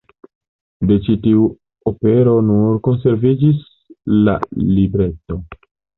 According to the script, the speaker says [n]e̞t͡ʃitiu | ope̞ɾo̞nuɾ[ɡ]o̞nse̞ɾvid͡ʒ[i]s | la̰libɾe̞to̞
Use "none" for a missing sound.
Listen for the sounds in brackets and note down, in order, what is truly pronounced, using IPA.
d, k, i

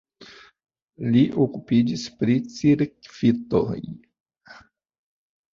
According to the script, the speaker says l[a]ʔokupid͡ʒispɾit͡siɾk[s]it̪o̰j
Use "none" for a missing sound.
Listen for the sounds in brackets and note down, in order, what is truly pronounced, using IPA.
i, f

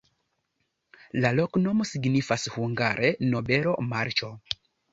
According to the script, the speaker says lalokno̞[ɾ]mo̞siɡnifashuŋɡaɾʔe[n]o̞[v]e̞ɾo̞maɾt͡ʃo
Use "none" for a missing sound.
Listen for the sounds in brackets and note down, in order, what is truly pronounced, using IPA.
none, n, b

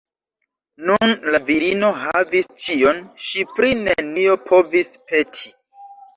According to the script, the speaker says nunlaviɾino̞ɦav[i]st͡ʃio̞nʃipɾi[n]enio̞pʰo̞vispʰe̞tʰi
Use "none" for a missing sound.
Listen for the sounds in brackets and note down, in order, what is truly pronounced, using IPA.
i, n

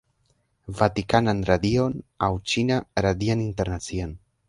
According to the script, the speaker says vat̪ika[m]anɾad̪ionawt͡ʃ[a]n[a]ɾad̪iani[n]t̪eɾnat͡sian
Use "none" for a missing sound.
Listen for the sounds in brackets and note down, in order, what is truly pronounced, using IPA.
n, i, a, n

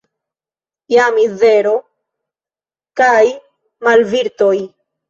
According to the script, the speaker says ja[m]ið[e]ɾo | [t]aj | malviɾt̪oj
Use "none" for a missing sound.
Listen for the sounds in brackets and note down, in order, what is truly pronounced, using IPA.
m, e, k

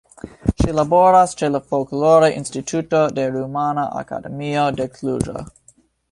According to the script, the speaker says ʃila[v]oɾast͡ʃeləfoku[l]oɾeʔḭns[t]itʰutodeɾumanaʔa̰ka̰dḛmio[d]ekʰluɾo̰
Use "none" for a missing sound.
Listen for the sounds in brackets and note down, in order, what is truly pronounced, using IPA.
b, l, t, d

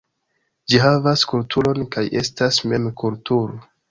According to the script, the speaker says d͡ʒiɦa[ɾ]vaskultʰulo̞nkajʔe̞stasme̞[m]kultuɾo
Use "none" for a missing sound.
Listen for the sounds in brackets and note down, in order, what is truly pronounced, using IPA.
none, m

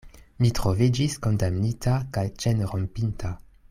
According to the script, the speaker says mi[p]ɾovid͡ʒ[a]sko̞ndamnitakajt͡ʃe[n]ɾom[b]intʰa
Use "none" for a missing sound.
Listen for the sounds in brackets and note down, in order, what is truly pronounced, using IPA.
t, i, n, p

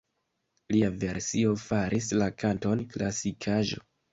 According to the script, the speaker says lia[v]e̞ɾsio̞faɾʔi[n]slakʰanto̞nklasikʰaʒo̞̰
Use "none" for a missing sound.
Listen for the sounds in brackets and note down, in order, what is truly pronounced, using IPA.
v, none

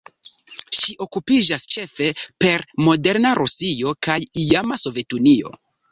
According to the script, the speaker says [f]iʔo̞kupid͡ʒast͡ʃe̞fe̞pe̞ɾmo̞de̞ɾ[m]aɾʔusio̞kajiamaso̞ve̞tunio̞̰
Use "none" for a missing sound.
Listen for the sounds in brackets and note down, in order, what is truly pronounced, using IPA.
ʃ, n

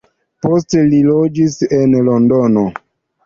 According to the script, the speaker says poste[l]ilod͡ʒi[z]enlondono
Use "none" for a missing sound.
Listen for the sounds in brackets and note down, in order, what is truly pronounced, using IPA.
l, s

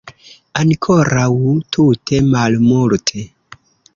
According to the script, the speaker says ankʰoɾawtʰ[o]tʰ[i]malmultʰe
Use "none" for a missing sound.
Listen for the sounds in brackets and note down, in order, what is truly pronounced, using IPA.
u, e

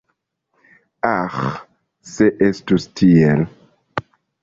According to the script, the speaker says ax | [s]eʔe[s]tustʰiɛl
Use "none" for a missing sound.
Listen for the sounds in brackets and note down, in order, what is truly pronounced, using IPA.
s, s

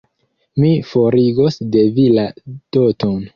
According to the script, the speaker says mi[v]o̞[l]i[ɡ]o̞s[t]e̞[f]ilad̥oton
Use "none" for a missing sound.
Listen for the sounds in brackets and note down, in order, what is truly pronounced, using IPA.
f, ɾ, ɡ, d, v

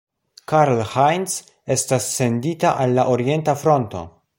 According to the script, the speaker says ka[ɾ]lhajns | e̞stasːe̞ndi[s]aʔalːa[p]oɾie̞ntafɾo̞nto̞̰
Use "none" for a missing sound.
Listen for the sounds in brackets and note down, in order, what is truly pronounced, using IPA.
ɾ, t, ʔ

